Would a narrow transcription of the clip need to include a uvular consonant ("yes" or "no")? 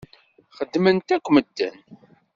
yes